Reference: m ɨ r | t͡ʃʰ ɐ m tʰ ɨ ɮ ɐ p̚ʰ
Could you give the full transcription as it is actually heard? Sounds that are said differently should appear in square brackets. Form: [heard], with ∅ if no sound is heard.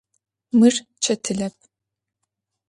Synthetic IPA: m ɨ r | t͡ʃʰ ɐ [∅] tʰ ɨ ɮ ɐ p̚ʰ